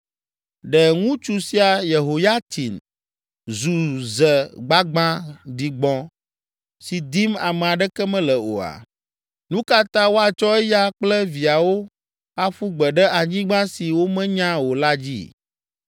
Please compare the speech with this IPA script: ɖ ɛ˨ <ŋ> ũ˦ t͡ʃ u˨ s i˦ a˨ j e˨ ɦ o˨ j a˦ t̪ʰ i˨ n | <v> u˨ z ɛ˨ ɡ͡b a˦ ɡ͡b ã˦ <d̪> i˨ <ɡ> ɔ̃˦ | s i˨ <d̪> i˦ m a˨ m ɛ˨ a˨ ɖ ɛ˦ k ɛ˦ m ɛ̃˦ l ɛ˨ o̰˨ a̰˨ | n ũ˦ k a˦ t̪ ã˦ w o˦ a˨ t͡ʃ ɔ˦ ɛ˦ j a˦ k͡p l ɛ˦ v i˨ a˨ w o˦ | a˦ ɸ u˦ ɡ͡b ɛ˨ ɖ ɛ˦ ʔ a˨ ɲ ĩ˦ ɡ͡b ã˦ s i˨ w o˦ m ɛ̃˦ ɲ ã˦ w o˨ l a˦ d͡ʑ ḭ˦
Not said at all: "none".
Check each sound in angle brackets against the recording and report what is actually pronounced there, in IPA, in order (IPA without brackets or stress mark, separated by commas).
ŋ, z, d̪, ɡ͡b, d̪